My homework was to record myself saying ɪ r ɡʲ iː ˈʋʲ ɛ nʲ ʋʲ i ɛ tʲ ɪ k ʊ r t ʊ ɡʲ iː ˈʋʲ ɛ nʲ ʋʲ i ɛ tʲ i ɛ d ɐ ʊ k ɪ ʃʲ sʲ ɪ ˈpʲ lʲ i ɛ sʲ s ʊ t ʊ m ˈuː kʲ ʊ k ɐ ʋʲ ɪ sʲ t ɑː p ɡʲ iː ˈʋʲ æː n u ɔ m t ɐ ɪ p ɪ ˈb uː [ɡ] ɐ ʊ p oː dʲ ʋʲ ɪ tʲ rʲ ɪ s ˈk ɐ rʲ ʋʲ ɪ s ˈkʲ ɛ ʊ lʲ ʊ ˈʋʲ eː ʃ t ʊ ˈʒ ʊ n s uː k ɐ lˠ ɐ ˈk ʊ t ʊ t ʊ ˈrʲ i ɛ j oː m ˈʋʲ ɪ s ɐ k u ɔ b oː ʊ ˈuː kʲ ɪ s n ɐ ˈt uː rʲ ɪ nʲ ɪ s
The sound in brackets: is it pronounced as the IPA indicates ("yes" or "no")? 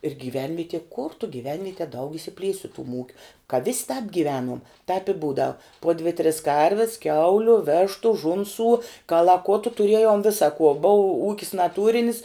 no